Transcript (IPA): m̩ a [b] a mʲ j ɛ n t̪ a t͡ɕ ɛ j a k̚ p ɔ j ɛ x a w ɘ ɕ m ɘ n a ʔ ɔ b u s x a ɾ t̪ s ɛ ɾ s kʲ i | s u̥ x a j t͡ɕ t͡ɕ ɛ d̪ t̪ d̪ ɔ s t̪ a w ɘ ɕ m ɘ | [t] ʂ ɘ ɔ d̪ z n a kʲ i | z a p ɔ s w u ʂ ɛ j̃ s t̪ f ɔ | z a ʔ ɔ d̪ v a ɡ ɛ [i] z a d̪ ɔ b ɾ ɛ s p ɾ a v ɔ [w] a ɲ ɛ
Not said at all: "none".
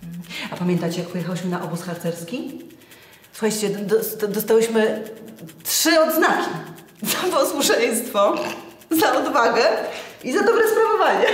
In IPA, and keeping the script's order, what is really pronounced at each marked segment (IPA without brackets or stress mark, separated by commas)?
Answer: p, t, i, v